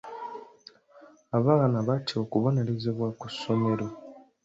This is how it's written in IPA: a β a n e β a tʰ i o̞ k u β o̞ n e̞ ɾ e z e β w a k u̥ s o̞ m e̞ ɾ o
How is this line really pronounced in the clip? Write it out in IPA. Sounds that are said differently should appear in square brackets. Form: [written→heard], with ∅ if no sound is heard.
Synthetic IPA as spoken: a β a n [e→a] β a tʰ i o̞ k u β o̞ n e̞ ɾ e z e β w a k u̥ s o̞ m e̞ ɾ o